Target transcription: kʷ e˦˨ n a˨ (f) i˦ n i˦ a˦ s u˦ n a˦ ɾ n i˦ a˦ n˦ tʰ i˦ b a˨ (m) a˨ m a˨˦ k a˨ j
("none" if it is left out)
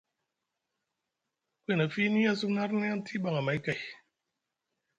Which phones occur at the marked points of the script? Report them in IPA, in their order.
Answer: f, ŋ

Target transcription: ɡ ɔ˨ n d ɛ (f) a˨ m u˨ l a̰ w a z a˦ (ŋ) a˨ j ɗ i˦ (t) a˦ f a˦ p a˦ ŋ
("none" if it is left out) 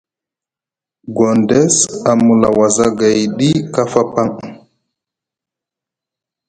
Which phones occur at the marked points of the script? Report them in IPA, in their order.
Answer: s, ɡ, k

